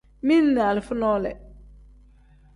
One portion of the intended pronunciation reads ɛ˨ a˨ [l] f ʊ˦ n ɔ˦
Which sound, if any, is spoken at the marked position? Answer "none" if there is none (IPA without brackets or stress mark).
l